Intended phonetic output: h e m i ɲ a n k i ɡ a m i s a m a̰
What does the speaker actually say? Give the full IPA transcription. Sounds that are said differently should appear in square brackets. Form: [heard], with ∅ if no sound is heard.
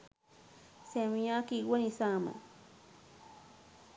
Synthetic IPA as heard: [s] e m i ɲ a [∅] k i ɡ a [n] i s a m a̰